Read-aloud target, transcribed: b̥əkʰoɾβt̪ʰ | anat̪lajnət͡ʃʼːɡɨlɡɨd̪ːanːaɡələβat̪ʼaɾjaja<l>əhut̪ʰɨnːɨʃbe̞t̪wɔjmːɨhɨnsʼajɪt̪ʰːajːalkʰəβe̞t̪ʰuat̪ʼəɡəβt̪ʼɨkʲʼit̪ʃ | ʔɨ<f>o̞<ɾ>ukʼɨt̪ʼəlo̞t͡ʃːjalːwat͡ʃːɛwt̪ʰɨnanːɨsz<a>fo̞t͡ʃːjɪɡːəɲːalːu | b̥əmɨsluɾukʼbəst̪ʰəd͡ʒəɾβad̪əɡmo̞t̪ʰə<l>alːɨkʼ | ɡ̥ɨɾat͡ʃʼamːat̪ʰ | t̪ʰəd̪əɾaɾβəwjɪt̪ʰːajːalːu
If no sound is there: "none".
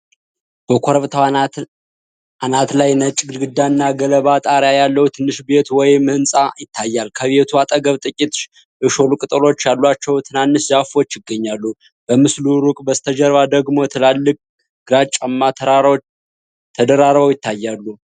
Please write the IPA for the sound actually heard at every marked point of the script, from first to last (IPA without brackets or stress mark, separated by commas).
lː, ʃ, l, a, l